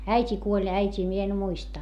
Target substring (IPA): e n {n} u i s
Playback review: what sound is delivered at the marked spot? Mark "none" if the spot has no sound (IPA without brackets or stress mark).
m